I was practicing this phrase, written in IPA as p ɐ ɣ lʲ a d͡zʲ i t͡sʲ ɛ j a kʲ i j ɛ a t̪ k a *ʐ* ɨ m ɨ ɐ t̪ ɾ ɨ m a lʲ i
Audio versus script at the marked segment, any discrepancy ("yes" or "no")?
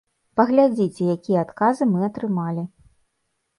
yes